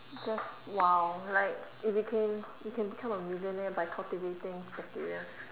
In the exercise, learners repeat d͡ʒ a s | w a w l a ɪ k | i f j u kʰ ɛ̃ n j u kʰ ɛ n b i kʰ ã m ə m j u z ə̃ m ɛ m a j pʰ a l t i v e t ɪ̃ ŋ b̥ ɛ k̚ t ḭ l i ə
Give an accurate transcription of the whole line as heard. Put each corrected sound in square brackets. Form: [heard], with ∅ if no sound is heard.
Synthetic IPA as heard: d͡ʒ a s | w a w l a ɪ k | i f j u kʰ ɛ̃ n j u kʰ [ɛ̃] n b i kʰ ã m ə m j u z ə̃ [n] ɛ [b] a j [kʰ] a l t i v e t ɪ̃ ŋ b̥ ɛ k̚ t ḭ [ɹ] i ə